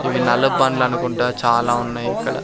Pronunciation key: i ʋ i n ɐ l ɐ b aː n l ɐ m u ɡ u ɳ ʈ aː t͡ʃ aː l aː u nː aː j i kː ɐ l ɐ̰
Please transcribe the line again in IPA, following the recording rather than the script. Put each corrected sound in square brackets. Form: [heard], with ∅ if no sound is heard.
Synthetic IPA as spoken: i ʋ i n ɐ l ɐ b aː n l ɐ [n] u [k] u ɳ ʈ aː t͡ʃ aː l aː u nː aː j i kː ɐ [ɽ] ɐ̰